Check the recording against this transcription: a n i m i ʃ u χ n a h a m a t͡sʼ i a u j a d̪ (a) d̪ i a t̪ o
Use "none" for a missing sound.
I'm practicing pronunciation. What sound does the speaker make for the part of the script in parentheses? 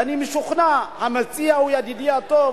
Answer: i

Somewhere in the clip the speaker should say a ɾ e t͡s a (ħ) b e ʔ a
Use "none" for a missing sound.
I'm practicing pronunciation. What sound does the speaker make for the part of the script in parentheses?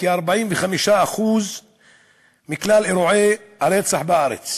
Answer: ħ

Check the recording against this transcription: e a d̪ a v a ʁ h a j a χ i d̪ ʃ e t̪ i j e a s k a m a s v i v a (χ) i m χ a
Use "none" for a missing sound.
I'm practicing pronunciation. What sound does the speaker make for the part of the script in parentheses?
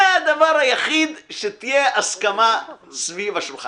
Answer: ʃ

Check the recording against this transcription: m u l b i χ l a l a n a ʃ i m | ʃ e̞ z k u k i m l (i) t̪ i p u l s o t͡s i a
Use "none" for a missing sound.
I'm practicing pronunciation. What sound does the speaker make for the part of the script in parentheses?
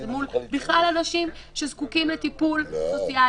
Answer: e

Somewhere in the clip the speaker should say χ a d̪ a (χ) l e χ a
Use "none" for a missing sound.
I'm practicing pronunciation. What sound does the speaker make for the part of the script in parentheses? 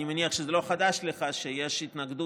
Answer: ʃ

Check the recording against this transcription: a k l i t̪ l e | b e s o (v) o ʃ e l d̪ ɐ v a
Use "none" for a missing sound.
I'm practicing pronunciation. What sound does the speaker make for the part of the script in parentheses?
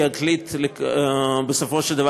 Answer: f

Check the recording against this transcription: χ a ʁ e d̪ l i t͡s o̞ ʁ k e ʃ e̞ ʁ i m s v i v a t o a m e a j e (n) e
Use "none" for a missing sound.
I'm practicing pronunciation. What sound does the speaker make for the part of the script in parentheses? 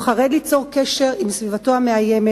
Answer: m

